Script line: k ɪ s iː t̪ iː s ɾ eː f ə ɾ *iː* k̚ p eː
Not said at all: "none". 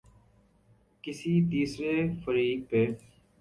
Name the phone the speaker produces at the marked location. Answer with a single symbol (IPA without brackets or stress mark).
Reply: iː